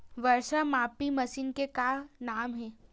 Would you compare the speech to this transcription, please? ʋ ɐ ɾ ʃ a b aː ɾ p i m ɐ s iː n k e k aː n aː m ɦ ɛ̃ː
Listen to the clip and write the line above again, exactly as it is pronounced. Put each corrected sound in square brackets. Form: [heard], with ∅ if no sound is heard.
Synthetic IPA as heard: ʋ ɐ ɾ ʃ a [m] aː [∅] p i m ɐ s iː n k e k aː n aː m ɦ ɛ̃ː